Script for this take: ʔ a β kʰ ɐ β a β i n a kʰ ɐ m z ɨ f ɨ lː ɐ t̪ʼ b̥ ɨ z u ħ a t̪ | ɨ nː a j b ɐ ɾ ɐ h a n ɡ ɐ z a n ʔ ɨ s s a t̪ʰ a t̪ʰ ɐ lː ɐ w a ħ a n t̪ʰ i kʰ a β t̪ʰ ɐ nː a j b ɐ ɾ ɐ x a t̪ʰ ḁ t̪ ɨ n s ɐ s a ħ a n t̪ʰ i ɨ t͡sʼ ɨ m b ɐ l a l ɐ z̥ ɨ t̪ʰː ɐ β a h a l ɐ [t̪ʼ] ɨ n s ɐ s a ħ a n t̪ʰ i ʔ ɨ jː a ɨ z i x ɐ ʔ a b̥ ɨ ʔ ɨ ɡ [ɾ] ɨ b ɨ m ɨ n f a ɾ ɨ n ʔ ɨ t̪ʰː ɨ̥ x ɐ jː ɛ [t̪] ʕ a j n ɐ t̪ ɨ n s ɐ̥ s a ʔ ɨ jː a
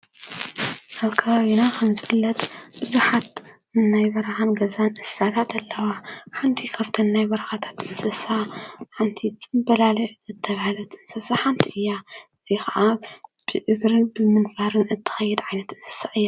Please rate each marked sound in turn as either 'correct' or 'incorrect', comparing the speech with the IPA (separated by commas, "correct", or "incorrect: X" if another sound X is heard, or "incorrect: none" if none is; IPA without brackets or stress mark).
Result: incorrect: t̪, correct, incorrect: d̪